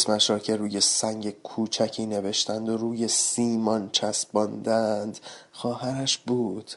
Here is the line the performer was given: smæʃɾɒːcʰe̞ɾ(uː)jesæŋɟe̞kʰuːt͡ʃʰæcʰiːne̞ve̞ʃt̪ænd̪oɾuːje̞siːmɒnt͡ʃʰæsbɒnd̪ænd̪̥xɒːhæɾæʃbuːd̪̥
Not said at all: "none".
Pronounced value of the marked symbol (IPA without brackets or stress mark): uː